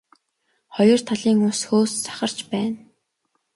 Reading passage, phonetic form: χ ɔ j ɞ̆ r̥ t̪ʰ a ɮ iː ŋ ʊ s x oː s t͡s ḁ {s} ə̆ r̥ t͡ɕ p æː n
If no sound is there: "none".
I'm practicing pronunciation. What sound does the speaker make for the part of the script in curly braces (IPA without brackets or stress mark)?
χ